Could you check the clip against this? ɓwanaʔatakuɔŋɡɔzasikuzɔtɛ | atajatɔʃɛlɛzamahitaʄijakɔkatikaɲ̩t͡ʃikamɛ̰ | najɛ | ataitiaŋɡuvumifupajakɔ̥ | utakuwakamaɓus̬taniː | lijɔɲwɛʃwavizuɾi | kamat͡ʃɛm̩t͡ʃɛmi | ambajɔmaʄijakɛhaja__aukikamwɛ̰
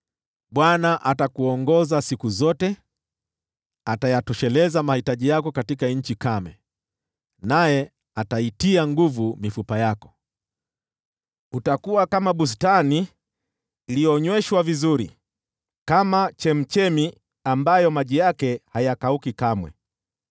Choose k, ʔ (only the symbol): k